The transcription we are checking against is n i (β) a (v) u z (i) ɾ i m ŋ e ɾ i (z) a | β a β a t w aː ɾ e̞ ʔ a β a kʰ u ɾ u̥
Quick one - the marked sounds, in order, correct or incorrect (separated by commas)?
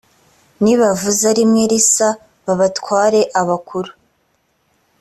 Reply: correct, correct, incorrect, incorrect